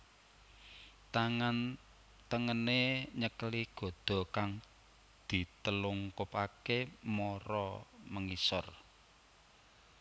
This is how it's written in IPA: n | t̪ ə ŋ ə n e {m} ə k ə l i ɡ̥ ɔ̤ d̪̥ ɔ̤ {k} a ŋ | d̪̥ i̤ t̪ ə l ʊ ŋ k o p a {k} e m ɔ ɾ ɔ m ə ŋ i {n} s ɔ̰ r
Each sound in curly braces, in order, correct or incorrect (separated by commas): incorrect, correct, correct, incorrect